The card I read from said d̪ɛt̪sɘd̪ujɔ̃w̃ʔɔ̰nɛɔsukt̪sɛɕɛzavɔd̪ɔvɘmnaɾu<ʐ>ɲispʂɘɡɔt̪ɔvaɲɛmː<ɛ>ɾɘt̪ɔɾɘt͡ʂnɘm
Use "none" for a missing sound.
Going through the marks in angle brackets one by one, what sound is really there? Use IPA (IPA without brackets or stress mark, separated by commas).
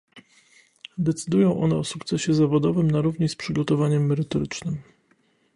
v, ɛ